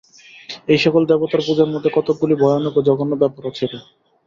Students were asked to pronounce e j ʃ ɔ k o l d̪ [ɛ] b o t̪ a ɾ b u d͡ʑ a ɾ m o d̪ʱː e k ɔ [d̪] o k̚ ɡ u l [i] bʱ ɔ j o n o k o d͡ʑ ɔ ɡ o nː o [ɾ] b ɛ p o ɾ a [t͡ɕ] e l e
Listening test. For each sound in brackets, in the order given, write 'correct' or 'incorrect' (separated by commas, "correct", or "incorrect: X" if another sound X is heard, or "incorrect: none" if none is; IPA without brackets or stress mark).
correct, incorrect: t̪, correct, incorrect: none, incorrect: t͡ɕʰ